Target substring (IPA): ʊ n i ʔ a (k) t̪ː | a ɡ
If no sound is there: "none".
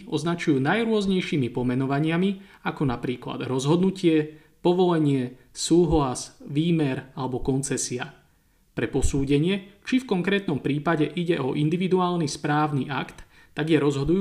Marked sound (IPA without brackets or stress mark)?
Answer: k